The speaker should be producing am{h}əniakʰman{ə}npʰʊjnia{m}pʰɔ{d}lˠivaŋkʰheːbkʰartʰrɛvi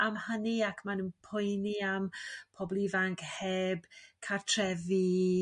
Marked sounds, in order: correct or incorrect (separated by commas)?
correct, correct, correct, incorrect